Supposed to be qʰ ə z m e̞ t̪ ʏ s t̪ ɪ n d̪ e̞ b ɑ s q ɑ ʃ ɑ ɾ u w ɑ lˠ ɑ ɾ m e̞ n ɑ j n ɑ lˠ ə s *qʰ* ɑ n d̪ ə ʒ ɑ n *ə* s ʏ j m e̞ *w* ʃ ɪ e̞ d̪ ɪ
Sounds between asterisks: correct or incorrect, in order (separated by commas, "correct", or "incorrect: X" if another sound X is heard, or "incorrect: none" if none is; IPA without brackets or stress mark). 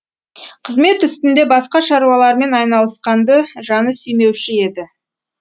incorrect: q, correct, correct